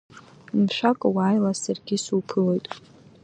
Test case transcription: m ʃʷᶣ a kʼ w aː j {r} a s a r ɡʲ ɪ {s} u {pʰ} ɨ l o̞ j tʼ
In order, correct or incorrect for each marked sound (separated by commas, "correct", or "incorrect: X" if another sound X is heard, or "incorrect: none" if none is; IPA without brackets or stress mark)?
incorrect: l, correct, correct